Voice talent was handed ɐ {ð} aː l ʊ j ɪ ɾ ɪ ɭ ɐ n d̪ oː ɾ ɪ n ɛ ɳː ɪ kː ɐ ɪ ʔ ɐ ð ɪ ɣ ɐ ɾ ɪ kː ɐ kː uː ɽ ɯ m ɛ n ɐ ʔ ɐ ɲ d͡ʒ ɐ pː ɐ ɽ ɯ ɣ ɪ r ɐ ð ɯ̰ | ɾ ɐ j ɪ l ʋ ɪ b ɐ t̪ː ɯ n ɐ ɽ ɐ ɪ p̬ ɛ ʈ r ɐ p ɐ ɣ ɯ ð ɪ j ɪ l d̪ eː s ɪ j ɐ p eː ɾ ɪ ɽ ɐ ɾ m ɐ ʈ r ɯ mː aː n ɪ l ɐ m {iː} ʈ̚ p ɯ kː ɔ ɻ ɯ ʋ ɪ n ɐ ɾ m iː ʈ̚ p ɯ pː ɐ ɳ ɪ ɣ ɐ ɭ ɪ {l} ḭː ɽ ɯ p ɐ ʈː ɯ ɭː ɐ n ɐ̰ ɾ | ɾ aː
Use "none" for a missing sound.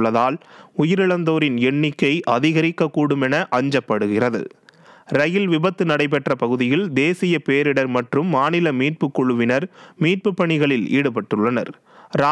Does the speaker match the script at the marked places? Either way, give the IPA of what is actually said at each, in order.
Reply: ð, iː, l

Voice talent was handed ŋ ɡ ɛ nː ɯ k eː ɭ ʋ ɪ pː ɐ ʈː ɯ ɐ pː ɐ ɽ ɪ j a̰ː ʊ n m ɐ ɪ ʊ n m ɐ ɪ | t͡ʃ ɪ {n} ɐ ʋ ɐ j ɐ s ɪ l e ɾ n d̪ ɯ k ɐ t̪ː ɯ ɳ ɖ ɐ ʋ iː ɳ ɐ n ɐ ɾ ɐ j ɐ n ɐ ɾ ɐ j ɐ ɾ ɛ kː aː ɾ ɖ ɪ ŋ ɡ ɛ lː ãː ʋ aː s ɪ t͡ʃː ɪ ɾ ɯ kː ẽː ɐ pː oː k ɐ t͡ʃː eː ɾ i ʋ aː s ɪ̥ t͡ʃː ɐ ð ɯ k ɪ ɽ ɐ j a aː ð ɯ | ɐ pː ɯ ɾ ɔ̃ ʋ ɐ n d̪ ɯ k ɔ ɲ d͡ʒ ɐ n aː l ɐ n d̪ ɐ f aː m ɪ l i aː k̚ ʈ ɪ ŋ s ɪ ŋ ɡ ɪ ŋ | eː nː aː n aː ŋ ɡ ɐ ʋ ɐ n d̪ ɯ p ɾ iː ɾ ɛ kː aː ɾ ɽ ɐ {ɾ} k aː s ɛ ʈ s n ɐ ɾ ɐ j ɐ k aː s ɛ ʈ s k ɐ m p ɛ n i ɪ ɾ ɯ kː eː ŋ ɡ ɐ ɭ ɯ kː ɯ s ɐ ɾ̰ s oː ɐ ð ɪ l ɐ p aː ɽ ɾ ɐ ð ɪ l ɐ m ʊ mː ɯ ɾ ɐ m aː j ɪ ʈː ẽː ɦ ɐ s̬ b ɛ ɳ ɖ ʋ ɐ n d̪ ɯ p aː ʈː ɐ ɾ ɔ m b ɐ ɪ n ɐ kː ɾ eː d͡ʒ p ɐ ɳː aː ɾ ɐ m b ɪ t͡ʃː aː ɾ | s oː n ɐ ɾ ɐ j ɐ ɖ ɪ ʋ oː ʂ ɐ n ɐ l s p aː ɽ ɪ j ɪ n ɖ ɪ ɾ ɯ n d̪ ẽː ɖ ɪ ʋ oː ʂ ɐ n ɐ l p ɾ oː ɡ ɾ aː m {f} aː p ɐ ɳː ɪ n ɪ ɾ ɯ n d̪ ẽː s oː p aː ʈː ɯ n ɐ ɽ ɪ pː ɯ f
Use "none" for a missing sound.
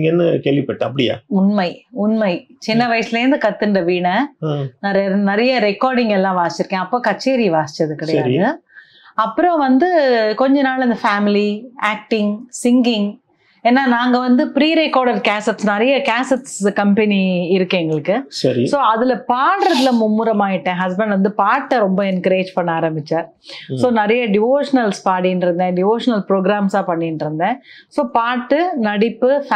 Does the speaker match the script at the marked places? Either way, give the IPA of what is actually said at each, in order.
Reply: nː, ɾ, s

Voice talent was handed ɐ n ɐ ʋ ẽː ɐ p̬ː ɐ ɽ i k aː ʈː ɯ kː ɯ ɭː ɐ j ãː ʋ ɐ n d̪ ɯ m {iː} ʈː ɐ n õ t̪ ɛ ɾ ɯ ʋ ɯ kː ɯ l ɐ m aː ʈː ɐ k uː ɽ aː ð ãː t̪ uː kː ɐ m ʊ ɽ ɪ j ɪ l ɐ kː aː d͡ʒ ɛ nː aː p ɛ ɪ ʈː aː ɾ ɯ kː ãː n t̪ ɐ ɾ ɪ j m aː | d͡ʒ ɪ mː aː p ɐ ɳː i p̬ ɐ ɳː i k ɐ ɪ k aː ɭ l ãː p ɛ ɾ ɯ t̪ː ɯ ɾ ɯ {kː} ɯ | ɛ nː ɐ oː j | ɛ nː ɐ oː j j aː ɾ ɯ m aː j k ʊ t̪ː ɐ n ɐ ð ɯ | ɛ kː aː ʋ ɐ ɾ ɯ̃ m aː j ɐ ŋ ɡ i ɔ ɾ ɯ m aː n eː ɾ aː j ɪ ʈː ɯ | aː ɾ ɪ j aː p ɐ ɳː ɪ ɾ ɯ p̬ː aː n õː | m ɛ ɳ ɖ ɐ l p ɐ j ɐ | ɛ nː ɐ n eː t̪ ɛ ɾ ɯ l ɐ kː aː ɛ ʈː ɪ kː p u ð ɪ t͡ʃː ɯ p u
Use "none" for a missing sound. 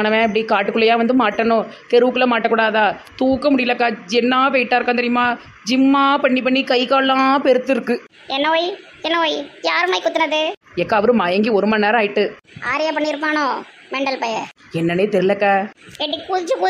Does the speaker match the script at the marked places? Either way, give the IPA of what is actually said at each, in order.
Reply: aː, kː

